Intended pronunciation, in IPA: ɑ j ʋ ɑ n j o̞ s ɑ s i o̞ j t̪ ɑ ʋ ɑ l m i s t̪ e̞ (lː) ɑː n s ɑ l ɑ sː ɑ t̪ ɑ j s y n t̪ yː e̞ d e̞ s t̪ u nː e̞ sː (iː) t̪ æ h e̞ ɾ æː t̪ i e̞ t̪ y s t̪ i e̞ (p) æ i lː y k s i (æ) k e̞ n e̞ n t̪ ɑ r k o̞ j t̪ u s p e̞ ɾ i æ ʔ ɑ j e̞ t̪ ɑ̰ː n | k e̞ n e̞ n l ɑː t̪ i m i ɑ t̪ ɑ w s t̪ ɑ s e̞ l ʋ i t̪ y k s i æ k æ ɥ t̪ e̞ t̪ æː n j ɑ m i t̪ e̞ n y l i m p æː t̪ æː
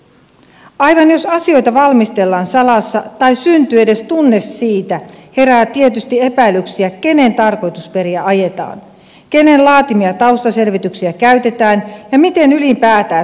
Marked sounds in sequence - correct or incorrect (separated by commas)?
correct, correct, correct, correct